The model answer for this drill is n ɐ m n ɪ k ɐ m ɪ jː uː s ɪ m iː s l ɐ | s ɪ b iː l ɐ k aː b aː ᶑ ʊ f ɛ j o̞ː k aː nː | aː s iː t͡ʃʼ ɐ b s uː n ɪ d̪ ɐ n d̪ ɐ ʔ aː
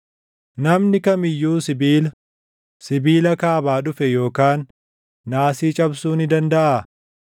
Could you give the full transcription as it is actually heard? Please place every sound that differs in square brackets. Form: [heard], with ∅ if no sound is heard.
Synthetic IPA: n ɐ m n ɪ k ɐ m ɪ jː uː s ɪ [b] iː [∅] l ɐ | s ɪ b iː l ɐ k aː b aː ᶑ ʊ f ɛ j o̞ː k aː nː | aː s iː t͡ʃʼ ɐ b s uː n ɪ d̪ ɐ n d̪ ɐ ʔ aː